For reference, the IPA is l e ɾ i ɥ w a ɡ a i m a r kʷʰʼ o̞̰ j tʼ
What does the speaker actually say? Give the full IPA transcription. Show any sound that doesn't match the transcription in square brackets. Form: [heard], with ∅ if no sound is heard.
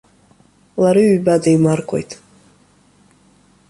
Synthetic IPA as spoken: l [a] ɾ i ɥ [b] a [d] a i m a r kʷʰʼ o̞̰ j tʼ